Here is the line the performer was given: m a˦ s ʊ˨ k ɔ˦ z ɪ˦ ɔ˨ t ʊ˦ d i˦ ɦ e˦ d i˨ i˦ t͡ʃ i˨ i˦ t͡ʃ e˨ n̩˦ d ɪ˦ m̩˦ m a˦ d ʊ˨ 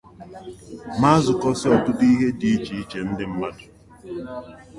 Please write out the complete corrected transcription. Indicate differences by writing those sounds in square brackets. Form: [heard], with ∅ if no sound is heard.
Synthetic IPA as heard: m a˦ [z] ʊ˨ k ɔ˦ [s] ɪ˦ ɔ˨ t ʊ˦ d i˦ ɦ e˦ d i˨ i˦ t͡ʃ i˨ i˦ t͡ʃ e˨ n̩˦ d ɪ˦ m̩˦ m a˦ d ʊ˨